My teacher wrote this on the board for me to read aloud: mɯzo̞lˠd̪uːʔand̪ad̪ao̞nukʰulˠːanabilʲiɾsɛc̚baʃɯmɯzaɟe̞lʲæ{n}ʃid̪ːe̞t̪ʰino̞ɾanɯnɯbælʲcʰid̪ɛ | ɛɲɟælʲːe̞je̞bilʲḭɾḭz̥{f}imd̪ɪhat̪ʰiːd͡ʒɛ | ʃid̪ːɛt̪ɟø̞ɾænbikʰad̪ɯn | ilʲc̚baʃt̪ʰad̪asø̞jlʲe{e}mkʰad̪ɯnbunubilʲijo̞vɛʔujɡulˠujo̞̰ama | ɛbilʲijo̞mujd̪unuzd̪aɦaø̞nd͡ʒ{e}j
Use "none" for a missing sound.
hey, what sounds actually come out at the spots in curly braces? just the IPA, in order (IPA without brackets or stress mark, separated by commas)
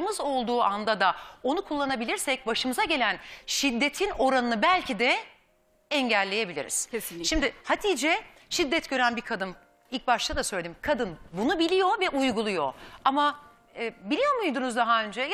n, ʃ, i, ɛ